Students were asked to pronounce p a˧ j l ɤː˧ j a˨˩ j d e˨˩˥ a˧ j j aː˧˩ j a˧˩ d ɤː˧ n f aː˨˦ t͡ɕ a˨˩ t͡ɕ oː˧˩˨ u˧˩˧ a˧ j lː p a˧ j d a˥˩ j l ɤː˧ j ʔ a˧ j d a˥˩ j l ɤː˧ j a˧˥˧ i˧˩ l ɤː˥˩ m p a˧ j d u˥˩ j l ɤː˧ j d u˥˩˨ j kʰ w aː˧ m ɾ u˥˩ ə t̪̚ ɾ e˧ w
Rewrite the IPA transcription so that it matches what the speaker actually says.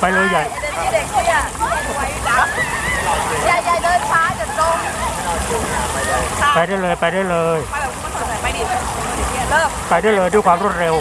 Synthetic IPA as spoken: p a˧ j l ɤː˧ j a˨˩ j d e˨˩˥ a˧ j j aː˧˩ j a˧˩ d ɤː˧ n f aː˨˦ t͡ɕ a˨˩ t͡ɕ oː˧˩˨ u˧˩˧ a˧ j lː p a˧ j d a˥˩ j l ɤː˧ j p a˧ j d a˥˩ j l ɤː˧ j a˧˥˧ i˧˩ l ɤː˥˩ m p a˧ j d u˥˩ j l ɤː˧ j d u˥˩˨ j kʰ w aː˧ m ɾ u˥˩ ə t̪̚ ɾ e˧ w

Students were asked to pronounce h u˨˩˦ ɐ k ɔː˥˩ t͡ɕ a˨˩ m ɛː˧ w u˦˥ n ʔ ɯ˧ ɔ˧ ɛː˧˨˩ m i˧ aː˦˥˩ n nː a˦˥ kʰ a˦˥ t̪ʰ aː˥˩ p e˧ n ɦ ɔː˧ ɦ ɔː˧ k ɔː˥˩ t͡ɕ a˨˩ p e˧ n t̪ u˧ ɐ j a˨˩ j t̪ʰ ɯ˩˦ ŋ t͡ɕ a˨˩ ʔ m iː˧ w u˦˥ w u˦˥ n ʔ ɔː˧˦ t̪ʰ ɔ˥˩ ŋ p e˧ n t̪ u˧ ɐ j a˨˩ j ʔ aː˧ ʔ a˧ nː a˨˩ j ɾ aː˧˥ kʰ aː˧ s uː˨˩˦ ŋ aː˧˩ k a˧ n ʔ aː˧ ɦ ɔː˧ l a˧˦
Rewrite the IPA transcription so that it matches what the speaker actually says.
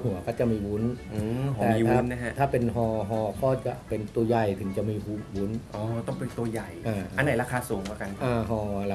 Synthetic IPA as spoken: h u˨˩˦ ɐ k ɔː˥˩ t͡ɕ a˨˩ m iː˧ w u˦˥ n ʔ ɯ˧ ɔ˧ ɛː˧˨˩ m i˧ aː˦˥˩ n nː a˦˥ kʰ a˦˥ t̪ʰ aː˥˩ p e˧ n ɦ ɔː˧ ɦ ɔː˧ k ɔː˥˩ t͡ɕ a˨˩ p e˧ n t̪ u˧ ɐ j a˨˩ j t̪ʰ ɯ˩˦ ŋ t͡ɕ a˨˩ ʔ m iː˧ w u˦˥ w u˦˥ n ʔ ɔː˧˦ t̪ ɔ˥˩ ŋ p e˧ n t̪ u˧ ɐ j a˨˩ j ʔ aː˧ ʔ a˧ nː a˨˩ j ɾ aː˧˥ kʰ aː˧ s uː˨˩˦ ŋ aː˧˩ k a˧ n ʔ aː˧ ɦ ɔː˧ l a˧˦

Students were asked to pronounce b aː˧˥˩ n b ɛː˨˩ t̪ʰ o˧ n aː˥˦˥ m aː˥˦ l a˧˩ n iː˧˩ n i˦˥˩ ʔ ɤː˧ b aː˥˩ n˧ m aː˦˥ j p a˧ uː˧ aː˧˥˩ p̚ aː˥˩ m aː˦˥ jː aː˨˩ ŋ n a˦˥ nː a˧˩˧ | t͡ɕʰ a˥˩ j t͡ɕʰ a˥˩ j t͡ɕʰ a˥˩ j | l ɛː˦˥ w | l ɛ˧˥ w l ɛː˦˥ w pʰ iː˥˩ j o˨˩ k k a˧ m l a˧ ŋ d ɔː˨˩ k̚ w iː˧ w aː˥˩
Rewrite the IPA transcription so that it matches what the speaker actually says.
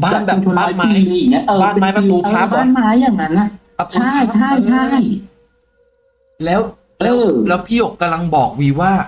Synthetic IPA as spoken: b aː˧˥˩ n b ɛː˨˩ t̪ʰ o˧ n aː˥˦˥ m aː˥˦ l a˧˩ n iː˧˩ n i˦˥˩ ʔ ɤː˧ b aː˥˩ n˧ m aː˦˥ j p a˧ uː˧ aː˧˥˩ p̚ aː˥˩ m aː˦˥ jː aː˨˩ ŋ n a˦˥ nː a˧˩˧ | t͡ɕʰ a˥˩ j t͡ɕʰ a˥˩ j t͡ɕʰ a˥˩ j | l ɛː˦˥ w | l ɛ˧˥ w l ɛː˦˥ w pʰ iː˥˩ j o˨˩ k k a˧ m l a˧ ŋ b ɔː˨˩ k̚ w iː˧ w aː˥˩

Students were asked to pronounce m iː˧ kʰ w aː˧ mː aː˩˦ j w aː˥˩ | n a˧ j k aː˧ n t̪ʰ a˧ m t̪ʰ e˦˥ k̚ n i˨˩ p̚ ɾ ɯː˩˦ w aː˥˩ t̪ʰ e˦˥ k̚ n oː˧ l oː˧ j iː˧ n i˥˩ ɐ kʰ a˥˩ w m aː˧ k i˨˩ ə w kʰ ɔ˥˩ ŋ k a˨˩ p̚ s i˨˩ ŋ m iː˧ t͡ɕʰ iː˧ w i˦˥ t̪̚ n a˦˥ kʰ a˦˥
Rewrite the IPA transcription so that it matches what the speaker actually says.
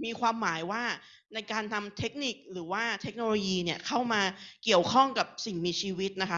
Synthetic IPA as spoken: m iː˧ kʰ w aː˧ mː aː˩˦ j w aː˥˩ | n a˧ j k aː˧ n t̪ʰ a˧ m t̪ʰ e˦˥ k̚ n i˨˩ k̚ ɾ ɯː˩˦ w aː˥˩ t̪ʰ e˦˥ k̚ n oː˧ l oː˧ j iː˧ n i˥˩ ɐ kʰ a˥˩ w m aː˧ k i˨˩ ə w kʰ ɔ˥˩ ŋ k a˨˩ p̚ s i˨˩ ŋ m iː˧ t͡ɕʰ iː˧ w i˦˥ t̪̚ n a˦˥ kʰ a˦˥

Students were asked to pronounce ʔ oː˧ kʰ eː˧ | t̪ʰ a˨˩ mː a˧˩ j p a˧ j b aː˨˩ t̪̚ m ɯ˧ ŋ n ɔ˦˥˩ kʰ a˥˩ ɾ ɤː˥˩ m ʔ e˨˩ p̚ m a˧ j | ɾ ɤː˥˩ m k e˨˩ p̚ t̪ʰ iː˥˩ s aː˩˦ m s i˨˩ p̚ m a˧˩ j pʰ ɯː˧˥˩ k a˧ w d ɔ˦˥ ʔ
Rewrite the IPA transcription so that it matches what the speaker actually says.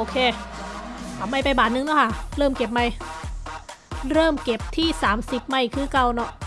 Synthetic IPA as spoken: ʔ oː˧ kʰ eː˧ | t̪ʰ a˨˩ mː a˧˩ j p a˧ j b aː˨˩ t̪̚ n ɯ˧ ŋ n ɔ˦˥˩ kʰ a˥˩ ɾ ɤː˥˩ m k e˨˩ p̚ m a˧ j | ɾ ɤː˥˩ m k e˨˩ p̚ t̪ʰ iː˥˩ s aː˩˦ m s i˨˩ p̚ m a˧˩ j kʰ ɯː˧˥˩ k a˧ w n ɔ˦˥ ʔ

